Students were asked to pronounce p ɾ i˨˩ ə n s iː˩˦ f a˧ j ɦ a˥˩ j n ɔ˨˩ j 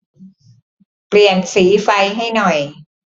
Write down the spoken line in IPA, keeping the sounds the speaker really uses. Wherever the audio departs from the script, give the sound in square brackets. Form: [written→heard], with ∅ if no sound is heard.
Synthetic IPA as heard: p [ɾ→l] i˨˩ ə n s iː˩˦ f a˧ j ɦ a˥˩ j n ɔ˨˩ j